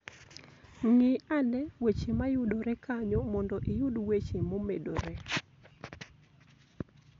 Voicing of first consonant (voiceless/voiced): voiced